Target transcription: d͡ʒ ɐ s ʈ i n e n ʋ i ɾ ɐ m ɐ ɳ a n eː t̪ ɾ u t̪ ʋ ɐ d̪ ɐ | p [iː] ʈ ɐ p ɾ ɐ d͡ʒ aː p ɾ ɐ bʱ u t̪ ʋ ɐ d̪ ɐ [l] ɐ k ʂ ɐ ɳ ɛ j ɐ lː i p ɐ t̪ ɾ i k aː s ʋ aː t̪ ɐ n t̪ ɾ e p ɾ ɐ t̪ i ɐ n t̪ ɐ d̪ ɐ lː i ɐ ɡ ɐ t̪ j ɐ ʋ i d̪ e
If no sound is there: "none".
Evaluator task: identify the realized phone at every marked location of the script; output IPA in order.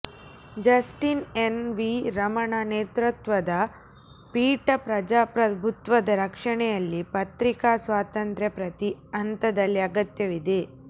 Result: iː, ɾ

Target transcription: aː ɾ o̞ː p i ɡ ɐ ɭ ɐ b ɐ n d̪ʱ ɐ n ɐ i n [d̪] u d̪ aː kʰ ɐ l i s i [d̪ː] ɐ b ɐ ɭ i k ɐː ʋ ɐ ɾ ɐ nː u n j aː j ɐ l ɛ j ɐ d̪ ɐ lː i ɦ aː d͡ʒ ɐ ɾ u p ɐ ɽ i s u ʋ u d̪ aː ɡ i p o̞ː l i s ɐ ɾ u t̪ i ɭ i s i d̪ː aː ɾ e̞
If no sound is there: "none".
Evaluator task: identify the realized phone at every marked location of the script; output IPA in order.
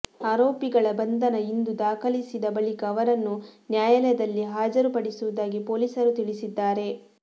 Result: d̪, d̪

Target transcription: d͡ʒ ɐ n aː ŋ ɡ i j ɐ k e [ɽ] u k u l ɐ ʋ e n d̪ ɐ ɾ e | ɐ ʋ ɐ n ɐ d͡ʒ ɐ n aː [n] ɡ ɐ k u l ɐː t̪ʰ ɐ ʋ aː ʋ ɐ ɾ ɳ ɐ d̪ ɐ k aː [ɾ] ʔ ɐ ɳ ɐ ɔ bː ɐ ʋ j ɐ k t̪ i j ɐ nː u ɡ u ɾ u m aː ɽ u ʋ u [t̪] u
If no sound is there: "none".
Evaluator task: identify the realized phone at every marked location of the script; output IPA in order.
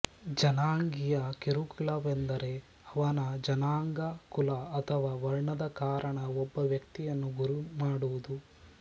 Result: ɾ, ŋ, ɾ, d̪

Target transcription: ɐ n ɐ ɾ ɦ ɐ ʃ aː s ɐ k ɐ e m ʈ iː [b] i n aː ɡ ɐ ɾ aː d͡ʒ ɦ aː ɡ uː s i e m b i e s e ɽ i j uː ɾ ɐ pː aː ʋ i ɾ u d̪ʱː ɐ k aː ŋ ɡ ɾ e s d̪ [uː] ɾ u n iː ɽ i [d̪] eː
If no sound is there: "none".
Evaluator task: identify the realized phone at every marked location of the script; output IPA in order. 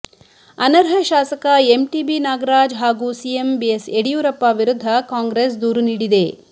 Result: b, uː, d̪

